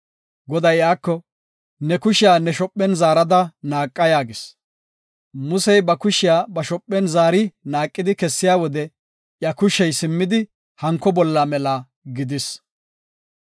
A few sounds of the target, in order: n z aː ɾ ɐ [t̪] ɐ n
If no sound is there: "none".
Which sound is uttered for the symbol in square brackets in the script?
d̪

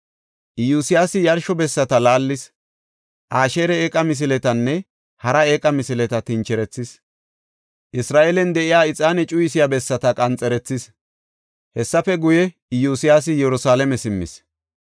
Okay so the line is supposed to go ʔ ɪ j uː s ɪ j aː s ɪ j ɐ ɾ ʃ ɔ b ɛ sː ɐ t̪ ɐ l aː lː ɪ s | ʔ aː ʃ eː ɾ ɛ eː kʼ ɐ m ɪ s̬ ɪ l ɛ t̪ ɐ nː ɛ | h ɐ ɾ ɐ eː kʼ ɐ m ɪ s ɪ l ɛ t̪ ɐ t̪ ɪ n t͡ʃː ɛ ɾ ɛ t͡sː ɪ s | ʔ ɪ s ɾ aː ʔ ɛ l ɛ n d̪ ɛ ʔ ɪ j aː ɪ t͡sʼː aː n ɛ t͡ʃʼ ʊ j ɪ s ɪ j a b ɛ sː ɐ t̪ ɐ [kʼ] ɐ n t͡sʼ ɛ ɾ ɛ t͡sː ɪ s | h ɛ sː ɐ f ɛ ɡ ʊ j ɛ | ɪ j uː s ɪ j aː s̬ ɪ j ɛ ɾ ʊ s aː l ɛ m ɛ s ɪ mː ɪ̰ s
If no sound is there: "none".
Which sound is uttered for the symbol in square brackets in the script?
kʼ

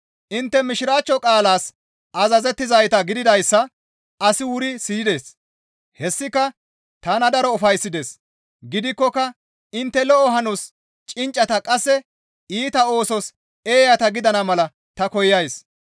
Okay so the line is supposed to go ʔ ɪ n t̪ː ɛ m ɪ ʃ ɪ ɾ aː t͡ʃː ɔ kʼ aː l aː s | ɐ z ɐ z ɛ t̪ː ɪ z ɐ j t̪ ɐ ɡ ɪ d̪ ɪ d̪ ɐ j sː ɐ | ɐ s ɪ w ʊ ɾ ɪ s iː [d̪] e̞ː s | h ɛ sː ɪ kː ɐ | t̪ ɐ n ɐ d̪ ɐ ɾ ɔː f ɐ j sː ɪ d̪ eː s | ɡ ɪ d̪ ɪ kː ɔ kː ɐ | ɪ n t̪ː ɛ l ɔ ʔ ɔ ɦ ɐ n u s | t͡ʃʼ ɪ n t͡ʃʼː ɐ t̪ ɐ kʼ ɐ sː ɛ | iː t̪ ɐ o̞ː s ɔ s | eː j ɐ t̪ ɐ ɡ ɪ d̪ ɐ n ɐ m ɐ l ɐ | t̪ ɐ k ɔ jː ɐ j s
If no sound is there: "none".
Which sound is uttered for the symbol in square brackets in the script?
d̪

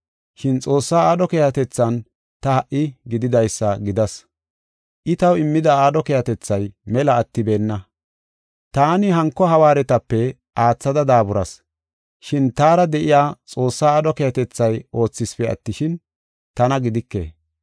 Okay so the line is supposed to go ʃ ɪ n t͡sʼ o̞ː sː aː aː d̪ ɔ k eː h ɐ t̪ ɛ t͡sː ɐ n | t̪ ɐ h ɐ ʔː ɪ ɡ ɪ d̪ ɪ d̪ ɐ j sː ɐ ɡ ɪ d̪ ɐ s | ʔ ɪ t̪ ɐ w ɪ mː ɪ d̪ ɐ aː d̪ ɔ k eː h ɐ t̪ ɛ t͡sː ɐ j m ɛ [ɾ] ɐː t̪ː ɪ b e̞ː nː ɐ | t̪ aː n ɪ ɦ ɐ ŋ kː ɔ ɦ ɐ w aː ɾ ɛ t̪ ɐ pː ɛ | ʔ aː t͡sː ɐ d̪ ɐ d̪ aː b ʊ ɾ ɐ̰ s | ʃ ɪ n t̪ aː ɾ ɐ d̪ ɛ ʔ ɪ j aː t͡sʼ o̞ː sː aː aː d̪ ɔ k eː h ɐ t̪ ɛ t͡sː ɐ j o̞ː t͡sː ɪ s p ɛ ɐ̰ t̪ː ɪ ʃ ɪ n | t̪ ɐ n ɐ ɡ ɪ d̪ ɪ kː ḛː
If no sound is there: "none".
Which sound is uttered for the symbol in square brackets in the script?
l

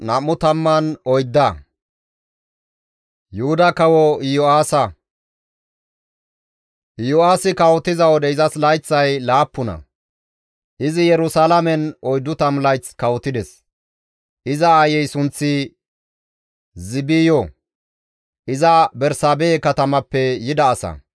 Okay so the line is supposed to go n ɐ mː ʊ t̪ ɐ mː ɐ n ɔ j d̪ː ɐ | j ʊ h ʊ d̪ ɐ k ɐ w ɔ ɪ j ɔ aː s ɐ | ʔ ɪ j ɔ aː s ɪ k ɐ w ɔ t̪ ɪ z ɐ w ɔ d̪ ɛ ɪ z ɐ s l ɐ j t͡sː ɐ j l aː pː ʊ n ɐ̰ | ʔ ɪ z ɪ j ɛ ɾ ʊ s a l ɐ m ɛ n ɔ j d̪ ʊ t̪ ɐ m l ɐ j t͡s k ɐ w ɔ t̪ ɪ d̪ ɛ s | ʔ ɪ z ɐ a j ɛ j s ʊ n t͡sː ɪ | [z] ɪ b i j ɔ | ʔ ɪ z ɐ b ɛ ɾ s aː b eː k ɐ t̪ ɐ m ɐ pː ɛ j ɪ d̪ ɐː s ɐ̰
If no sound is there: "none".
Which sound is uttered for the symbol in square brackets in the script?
z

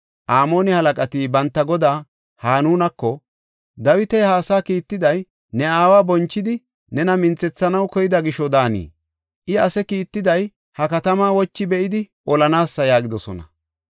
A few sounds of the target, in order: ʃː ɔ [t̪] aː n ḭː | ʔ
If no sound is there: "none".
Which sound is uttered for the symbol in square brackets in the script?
d̪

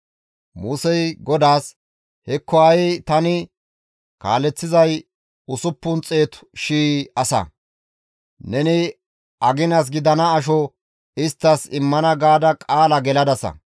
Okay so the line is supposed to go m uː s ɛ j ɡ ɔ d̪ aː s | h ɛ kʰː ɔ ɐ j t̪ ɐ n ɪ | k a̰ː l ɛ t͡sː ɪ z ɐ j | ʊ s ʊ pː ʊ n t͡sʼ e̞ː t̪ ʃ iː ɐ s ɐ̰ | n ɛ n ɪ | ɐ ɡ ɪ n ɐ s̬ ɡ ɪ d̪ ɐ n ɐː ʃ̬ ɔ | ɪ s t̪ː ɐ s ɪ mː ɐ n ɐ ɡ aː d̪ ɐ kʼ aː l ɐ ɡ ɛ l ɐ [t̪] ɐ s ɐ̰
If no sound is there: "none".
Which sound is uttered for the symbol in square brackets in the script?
d̪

